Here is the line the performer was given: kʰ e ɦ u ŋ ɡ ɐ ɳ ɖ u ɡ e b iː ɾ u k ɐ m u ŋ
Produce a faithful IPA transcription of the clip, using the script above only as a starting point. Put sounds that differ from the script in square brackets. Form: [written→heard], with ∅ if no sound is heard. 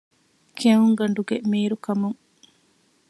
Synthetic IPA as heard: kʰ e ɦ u ŋ ɡ ɐ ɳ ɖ u ɡ e [b→m] iː ɾ u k ɐ m u ŋ